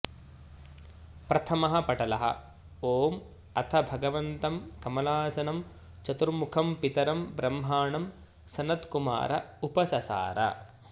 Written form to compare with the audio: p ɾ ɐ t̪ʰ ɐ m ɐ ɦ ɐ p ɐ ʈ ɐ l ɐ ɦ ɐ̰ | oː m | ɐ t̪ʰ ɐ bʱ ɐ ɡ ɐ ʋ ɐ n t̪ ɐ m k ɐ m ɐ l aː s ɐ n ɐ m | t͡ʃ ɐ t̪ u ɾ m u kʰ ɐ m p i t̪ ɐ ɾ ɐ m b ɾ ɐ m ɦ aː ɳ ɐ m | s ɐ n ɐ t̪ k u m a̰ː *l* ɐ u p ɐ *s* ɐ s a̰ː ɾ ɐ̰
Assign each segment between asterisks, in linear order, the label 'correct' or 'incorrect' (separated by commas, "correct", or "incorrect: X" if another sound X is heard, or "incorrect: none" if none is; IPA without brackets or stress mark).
incorrect: ɾ, correct